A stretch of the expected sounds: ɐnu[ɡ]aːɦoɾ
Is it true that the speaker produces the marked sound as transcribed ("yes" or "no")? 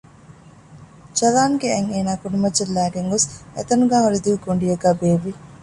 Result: yes